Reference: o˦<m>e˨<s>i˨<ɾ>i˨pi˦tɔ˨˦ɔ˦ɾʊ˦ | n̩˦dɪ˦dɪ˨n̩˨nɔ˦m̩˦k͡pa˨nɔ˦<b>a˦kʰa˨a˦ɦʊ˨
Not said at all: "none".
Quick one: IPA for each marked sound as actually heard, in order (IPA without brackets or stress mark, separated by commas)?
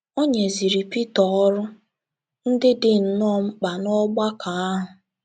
ɲ, z, ɾ, ɡ͡b